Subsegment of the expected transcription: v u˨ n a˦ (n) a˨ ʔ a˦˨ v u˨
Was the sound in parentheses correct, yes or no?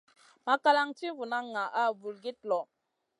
no